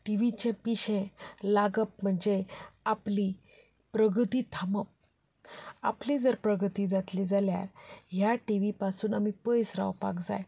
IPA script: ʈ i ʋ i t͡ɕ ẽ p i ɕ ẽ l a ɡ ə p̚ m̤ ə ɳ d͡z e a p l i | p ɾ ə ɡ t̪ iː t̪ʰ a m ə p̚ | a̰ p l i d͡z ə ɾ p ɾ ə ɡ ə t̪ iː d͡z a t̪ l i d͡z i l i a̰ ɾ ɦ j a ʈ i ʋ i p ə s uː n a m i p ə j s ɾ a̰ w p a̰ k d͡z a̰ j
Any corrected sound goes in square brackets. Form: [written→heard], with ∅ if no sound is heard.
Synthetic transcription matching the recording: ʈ i ʋ i t͡ɕ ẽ p i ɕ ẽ l a ɡ ə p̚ m̤ ə ɳ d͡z e a p l i | p ɾ ə ɡ t̪ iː t̪ʰ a m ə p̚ | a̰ p l i d͡z ə ɾ p ɾ ə ɡ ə t̪ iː d͡z a t̪ l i d͡z [i→a] l [i→j] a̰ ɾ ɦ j a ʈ i ʋ i p [ə→a] s uː n a m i p ə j s ɾ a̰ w p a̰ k d͡z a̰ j